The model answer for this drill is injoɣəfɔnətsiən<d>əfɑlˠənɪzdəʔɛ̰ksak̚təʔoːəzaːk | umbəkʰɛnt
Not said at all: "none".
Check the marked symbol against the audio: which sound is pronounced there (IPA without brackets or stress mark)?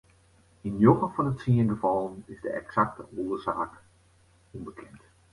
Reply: ɡ